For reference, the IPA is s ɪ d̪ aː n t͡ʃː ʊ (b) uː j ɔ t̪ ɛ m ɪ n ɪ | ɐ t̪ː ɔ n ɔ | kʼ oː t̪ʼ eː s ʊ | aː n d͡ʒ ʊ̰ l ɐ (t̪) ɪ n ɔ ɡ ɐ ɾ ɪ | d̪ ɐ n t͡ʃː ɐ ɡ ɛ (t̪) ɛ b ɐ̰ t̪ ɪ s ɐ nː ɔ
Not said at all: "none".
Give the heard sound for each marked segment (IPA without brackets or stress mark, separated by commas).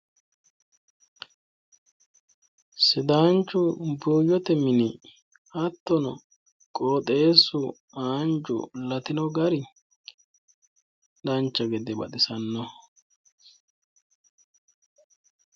b, t̪, d̪